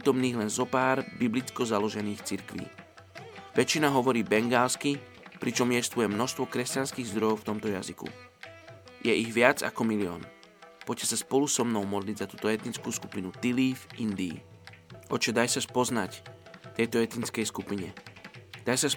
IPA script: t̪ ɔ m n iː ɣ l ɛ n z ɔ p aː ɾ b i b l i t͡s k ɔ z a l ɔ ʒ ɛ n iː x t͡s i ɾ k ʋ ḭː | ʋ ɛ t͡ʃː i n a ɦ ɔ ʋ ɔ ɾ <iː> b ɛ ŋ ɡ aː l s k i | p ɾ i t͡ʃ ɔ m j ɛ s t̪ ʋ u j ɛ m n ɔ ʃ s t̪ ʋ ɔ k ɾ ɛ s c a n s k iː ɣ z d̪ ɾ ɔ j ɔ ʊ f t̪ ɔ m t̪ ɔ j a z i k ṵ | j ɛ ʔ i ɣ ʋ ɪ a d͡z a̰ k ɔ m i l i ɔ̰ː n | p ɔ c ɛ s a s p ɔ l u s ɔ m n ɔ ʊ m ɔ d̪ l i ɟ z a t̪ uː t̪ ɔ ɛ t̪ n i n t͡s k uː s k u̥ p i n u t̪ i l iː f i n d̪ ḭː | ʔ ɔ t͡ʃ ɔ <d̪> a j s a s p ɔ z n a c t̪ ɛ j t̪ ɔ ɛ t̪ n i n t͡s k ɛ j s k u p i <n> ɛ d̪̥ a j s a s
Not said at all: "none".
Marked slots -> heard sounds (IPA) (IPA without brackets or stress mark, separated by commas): iː, d̪, ɲ